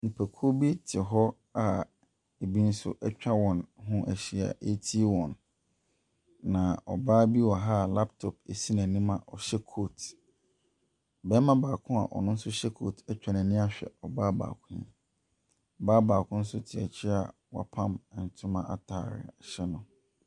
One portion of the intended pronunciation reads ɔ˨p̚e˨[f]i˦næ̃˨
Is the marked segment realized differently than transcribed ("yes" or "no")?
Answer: yes